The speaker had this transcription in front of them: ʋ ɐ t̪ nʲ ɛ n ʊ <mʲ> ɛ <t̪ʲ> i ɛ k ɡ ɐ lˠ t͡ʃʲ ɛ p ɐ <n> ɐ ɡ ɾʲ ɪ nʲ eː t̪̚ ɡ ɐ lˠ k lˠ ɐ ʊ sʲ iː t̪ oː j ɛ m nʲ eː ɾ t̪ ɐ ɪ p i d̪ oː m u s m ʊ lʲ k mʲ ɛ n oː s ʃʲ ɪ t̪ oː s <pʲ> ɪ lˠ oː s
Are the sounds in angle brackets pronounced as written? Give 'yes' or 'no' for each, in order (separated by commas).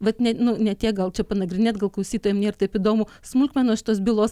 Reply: no, yes, yes, no